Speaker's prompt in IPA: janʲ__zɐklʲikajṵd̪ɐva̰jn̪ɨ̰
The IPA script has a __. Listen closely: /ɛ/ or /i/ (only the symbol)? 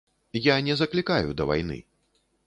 ɛ